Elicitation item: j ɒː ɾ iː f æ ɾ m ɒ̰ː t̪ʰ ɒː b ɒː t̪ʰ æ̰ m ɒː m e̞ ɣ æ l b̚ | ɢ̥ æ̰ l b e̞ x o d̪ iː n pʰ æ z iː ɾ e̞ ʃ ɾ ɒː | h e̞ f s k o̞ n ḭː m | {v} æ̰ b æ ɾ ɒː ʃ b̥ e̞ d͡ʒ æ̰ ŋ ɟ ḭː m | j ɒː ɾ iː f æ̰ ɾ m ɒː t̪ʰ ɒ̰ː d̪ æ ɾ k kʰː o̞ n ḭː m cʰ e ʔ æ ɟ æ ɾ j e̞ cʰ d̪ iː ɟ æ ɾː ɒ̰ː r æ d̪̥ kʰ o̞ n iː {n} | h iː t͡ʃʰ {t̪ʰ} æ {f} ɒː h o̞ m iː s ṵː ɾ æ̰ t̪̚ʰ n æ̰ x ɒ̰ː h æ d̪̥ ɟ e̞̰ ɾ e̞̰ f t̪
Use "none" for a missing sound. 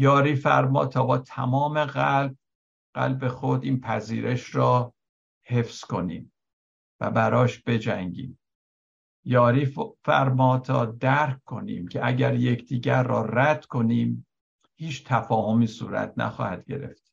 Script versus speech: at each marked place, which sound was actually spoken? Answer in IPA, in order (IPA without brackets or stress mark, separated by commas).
v, m, t̪ʰ, f